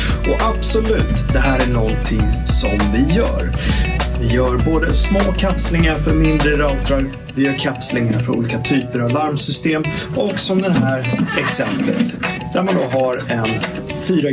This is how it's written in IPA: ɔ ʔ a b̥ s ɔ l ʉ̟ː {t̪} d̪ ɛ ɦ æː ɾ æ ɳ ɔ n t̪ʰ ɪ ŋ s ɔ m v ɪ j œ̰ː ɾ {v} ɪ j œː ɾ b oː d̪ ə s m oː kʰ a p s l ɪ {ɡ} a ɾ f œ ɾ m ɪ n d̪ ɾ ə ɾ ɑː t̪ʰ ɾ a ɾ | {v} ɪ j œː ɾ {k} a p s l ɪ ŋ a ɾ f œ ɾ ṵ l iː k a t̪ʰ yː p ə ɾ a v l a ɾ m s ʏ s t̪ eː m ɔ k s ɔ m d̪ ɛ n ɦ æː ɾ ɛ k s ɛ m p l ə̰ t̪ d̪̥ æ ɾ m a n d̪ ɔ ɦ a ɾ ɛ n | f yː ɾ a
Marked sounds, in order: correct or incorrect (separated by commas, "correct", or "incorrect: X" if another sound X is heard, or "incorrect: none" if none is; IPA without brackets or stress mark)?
correct, correct, incorrect: ŋ, correct, incorrect: kʰ